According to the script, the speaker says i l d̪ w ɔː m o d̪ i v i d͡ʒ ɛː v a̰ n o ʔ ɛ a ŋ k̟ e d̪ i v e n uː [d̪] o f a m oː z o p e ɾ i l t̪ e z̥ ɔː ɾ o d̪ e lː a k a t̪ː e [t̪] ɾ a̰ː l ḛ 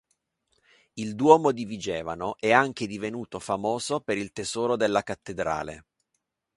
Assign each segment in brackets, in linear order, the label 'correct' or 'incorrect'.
incorrect, incorrect

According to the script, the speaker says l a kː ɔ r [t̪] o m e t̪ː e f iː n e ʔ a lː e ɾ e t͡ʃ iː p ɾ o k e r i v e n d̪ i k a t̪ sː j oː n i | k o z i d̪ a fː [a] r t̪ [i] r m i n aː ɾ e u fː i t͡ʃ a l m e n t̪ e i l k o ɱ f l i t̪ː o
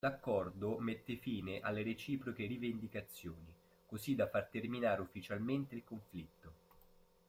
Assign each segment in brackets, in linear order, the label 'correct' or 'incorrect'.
incorrect, correct, incorrect

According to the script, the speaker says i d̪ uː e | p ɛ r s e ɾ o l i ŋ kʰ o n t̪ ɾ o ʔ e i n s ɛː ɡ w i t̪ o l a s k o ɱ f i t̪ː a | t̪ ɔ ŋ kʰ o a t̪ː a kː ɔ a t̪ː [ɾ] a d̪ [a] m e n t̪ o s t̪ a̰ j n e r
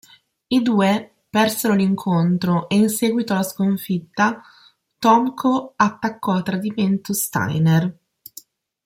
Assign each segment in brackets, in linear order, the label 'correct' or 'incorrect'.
correct, incorrect

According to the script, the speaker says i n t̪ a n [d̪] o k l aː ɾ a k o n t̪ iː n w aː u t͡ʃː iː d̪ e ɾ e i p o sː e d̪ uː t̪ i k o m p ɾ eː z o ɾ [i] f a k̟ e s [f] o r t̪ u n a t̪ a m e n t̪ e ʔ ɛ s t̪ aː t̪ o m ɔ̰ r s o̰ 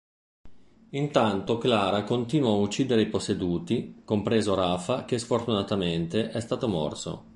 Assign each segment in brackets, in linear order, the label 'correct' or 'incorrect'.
incorrect, incorrect, correct

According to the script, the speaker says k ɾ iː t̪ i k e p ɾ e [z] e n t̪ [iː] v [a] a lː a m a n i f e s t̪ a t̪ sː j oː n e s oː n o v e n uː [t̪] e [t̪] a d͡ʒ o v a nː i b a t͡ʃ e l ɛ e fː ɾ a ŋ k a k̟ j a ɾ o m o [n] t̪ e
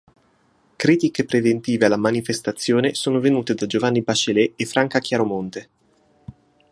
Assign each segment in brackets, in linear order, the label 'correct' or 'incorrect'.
incorrect, correct, incorrect, correct, incorrect, correct

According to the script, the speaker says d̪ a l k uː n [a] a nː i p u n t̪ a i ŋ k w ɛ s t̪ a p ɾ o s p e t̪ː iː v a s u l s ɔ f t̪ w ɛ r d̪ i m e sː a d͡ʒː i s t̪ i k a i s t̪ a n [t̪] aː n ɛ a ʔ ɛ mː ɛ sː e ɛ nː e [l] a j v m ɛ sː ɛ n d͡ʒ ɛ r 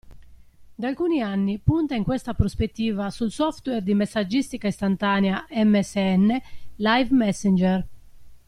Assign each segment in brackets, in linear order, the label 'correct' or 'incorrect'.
incorrect, correct, correct

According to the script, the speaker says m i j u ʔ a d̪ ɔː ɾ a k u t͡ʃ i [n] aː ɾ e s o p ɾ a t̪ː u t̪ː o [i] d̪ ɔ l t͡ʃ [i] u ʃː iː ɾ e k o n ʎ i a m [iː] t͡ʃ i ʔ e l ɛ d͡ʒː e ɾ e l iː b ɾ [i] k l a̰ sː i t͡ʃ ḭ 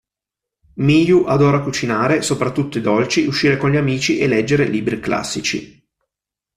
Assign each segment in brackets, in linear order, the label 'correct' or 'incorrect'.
correct, correct, correct, correct, correct

